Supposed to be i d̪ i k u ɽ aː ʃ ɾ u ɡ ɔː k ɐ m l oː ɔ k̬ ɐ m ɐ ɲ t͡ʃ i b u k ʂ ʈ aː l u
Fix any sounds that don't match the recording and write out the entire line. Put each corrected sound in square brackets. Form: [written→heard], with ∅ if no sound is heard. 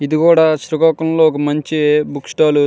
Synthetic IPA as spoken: i d̪ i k [u→uː] ɽ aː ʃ ɾ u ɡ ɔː k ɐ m l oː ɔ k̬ ɐ m ɐ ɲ t͡ʃ i b u k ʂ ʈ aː l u